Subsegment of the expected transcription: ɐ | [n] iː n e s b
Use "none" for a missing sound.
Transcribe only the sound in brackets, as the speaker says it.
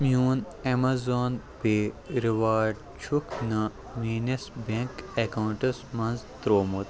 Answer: m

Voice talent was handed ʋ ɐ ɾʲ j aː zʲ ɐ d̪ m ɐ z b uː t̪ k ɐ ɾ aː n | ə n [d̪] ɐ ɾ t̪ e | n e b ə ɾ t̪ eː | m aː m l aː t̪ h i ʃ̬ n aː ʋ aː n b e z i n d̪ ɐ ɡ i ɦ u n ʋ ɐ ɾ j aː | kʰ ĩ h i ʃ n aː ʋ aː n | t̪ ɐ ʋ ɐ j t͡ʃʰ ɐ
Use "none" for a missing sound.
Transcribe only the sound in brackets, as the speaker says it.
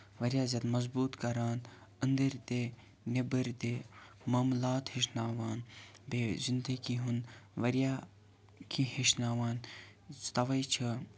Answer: d̪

